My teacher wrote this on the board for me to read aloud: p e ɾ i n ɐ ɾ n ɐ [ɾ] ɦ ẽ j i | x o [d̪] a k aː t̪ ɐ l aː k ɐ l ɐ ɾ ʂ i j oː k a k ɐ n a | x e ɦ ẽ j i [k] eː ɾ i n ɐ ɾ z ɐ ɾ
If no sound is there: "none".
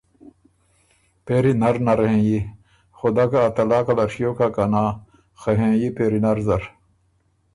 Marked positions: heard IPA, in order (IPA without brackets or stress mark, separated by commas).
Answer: ɾ, d̪, p